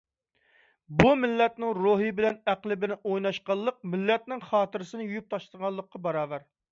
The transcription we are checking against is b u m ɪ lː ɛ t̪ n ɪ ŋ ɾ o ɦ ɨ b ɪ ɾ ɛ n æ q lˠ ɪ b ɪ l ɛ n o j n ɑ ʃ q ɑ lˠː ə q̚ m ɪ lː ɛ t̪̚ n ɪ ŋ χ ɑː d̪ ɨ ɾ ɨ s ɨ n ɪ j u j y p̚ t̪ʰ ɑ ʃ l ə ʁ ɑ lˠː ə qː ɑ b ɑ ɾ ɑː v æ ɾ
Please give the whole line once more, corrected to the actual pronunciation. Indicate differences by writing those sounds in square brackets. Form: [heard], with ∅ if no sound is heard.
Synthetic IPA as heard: b u m ɪ lː ɛ t̪ n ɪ ŋ ɾ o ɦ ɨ b ɪ [l] ɛ n æ q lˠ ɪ b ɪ l ɛ n o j n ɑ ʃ q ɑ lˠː ə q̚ m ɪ lː ɛ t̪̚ n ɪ ŋ χ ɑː [t̪] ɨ ɾ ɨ s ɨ n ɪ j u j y p̚ t̪ʰ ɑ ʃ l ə ʁ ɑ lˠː ə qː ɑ b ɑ ɾ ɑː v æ ɾ